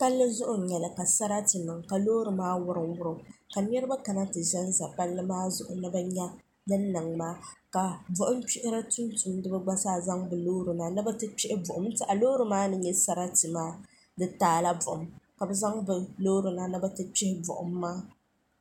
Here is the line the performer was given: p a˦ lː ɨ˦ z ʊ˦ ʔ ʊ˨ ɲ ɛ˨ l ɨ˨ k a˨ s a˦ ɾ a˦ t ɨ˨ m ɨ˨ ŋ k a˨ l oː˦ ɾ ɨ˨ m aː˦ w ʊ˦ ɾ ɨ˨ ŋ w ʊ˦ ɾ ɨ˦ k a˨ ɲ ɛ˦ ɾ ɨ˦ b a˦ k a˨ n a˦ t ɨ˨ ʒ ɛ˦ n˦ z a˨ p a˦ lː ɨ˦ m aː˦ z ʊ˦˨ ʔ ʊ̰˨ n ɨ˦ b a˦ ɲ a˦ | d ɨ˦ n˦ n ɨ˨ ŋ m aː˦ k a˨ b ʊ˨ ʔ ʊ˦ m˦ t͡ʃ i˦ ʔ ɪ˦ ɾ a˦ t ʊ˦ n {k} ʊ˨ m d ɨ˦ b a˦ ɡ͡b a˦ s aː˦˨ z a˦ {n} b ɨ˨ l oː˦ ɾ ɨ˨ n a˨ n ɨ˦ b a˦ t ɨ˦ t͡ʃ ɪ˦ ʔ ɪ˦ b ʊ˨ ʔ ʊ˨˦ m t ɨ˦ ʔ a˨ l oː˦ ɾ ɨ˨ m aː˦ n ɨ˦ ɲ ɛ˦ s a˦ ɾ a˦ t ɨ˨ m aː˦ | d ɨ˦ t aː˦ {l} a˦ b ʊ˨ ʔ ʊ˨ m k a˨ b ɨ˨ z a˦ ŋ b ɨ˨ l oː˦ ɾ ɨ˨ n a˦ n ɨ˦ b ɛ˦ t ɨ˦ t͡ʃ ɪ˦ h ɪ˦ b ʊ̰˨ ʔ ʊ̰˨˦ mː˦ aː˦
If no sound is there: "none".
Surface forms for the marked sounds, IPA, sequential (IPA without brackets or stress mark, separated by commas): t, ŋ, l